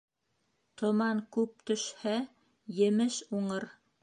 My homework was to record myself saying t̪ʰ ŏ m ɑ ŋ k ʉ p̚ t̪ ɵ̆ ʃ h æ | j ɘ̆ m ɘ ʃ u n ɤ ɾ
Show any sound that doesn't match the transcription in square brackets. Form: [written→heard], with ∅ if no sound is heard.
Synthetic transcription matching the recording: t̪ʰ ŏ m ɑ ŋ k ʉ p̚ t̪ ɵ̆ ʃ h æ | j ɘ̆ m ɘ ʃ u [n→ɴ] ɤ ɾ